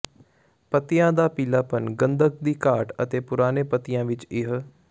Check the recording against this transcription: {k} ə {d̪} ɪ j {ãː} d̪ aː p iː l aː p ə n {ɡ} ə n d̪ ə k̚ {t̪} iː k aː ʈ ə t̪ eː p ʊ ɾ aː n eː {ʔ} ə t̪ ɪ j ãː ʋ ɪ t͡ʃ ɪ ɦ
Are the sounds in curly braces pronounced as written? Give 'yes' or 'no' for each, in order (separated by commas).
no, no, yes, yes, no, no